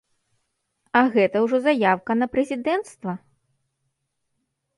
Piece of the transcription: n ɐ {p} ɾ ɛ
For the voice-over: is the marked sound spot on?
yes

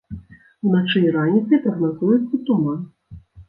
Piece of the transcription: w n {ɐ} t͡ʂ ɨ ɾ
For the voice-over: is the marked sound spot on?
no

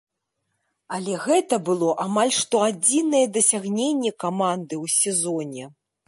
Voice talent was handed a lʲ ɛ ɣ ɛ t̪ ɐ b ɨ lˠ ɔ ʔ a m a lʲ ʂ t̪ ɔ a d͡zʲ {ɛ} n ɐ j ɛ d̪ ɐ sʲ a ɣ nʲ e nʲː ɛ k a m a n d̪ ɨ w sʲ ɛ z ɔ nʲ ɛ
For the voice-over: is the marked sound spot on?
no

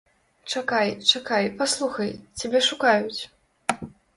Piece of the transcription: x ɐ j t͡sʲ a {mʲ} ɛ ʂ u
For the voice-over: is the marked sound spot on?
no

